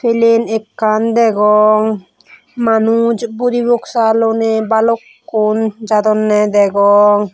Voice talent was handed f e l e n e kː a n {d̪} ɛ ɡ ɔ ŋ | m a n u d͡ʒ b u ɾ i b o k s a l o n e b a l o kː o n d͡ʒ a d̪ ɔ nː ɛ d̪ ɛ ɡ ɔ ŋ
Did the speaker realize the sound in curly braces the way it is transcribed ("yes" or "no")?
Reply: yes